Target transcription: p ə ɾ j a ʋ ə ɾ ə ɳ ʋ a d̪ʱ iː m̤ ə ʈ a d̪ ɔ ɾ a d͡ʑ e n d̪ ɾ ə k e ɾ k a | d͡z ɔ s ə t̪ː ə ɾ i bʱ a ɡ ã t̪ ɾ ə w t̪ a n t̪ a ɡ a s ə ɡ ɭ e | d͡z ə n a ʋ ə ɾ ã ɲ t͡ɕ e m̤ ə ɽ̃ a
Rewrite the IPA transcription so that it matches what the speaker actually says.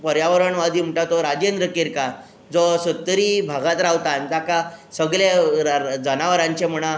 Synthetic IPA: p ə ɾ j a ʋ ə ɾ ə ɳ ʋ a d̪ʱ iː m̤ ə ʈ a t̪ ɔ ɾ a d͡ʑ e n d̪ ɾ ə k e ɾ k a | d͡z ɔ s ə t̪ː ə ɾ i bʱ a ɡ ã t̪ ɾ a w t̪ a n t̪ a k a s ə ɡ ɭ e | d͡z ə n a ʋ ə ɾ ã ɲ t͡ɕ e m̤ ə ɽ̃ a